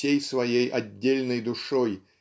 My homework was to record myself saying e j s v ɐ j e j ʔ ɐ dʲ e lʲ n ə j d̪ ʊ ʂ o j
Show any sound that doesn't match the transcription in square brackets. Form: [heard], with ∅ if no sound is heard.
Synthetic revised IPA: e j s v ɐ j e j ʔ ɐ [dʲː] e lʲ n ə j d̪ ʊ ʂ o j